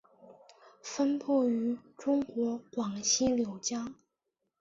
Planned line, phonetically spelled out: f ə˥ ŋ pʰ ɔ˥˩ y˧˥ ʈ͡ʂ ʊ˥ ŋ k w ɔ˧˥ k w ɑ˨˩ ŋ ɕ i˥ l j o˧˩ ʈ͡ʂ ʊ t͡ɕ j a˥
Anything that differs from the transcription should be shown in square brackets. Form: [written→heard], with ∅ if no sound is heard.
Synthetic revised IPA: f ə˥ [ŋ→n] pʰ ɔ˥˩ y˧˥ ʈ͡ʂ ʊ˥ ŋ k w ɔ˧˥ k w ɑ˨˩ ŋ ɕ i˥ l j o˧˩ [ʈ͡ʂ→∅] ʊ t͡ɕ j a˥